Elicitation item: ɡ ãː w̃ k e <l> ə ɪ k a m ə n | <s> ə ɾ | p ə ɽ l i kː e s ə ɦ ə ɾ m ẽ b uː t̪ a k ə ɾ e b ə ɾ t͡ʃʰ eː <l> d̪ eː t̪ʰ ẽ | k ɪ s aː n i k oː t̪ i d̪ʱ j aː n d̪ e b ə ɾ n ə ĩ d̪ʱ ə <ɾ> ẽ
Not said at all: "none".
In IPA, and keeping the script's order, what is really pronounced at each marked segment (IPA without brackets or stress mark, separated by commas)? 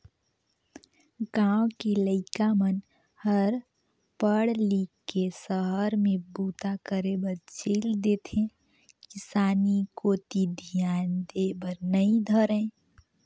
l, h, l, ɾ